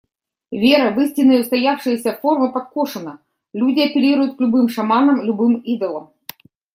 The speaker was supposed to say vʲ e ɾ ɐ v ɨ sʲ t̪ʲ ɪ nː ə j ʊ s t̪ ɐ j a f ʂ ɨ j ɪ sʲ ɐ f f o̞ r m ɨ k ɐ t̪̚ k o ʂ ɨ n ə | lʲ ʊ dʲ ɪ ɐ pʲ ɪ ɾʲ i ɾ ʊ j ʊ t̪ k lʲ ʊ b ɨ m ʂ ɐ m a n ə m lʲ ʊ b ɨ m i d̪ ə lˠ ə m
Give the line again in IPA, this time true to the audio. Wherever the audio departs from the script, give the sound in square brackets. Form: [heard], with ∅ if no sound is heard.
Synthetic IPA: vʲ e ɾ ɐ v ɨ sʲ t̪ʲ ɪ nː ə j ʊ s t̪ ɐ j a f ʂ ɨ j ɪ sʲ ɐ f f o̞ r m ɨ [p] ɐ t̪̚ k o ʂ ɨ n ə | lʲ [u] dʲ ɪ ɐ pʲ ɪ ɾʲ i ɾ ʊ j ʊ t̪ k lʲ ʊ b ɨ m ʂ ɐ m a n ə m lʲ ʊ b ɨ m i d̪ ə lˠ ə m

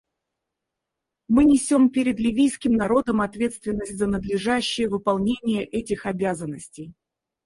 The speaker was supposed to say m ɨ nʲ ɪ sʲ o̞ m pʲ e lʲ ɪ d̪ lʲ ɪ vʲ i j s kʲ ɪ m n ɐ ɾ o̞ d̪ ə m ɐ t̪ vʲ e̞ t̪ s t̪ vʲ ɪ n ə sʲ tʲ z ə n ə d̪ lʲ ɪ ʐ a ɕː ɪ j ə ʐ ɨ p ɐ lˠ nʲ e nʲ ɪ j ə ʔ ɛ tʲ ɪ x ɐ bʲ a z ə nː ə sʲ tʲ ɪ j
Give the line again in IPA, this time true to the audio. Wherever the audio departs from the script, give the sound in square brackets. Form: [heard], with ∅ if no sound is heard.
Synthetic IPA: m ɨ nʲ ɪ sʲ o̞ m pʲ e [ɾʲ] ɪ d̪ lʲ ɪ vʲ i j s kʲ ɪ m n ɐ ɾ o̞ d̪ ə m ɐ t̪ vʲ e̞ t̪ s t̪ vʲ ɪ [nː] ə sʲ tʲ z ə n ə d̪ lʲ ɪ ʐ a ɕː ɪ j ə [v] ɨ p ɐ lˠ nʲ e nʲ ɪ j ə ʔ ɛ tʲ ɪ x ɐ bʲ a z ə nː ə sʲ tʲ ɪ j

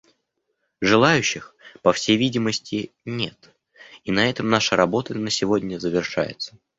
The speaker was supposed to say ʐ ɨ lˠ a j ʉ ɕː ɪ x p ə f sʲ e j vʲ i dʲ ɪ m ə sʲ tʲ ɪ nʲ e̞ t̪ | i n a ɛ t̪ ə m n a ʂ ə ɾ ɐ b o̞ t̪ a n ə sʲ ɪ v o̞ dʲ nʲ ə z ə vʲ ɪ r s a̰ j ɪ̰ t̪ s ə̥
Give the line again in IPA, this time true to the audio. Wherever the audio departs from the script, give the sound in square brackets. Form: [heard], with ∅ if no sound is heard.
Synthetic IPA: ʐ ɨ lˠ a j ʉ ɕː ɪ x p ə f sʲ e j vʲ i dʲ ɪ m ə sʲ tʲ ɪ nʲ e̞ t̪ | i n [ɐ] ɛ t̪ ə m n a ʂ ə ɾ ɐ b o̞ t̪ [ə] n ə sʲ ɪ v o̞ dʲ nʲ ə z ə vʲ ɪ r [ʂ] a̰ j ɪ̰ t̪ s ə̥

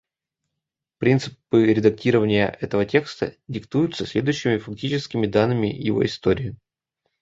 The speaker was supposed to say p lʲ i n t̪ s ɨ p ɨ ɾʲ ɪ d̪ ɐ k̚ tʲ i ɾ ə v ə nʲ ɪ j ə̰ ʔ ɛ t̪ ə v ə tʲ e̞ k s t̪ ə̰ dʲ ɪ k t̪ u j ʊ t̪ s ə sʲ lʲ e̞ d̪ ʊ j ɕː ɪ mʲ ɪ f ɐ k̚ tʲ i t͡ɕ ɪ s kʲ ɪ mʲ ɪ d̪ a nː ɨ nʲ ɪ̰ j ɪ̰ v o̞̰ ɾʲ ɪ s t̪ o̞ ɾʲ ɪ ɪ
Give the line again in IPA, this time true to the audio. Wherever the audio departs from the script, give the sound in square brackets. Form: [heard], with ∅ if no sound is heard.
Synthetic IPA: p [ɾʲ] i n t̪ s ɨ p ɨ ɾʲ ɪ d̪ ɐ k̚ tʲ i ɾ ə v ə nʲ ɪ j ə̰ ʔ ɛ t̪ ə v ə tʲ e̞ k s t̪ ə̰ dʲ ɪ k t̪ u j ʊ t̪ s ə sʲ lʲ e̞ d̪ ʊ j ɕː ɪ mʲ ɪ f ɐ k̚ tʲ i t͡ɕ ɪ s kʲ ɪ mʲ ɪ d̪ a nː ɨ [mʲ] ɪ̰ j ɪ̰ v o̞̰ [∅] ɪ s t̪ o̞ ɾʲ ɪ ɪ

